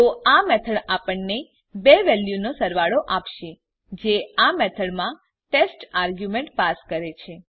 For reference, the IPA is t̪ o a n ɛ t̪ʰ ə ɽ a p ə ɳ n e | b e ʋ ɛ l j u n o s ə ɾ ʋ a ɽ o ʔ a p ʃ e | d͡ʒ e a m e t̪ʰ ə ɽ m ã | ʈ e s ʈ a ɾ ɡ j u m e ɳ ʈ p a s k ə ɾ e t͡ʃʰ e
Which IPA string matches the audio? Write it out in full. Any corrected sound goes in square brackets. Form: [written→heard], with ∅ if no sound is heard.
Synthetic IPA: t̪ o a [n→m] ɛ t̪ʰ ə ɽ a p ə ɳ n e | b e ʋ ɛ l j u n o s ə ɾ ʋ a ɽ o ʔ a p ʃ e | d͡ʒ e a m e t̪ʰ ə ɽ m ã | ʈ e s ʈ a ɾ ɡ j u m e ɳ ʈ p a s k ə ɾ e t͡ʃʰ e